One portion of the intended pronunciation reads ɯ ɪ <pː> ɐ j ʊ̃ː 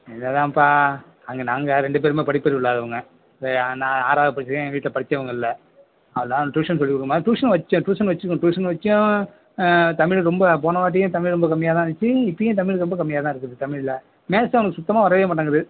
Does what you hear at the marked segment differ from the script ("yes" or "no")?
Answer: no